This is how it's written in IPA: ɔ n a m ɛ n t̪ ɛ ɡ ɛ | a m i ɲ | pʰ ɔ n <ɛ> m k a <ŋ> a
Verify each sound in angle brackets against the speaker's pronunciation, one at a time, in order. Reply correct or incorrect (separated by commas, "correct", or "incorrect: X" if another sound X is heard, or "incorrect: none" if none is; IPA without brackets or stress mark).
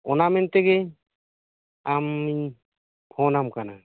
incorrect: a, incorrect: n